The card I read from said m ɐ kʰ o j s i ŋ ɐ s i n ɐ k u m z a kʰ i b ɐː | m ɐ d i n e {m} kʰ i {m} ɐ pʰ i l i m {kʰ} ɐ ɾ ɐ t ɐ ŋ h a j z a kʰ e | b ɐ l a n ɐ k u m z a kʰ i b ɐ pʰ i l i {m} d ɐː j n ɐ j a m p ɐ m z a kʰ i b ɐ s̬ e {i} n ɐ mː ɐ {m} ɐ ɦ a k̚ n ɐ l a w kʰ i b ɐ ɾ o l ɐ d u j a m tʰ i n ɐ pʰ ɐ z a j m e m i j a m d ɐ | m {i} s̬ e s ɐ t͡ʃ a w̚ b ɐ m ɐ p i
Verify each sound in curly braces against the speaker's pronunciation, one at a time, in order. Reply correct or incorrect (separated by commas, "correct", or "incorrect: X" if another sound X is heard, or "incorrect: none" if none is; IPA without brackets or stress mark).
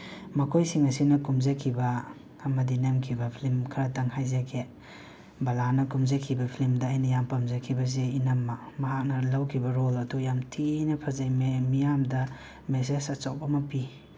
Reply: correct, incorrect: b, correct, correct, correct, correct, incorrect: e